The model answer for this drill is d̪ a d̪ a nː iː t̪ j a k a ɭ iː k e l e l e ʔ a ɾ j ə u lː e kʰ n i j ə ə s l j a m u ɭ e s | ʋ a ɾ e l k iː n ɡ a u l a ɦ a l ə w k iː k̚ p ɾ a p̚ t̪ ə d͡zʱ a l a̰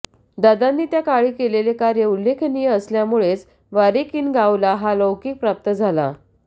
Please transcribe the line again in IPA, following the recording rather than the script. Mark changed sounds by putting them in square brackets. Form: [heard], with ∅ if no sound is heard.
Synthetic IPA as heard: d̪ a d̪ a nː iː t̪ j a k a ɭ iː k e l e l e [k] a ɾ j ə u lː e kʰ n i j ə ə s l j a m u ɭ e [t͡s] | ʋ a ɾ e [∅] k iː n ɡ a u l a ɦ a l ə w k iː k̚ p ɾ a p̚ t̪ ə d͡zʱ a l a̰